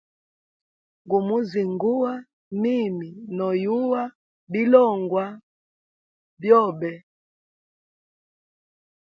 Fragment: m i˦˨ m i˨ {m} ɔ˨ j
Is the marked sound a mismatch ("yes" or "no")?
yes